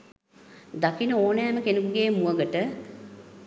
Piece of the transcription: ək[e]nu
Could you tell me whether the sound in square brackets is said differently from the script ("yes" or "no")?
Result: no